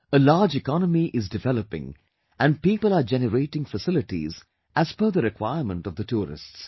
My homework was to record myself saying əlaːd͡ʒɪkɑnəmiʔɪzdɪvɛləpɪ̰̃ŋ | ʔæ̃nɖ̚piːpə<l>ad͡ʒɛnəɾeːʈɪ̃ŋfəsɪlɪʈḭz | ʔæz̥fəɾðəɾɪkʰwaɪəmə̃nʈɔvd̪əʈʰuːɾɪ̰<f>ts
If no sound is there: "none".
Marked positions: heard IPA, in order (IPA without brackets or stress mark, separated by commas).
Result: l, s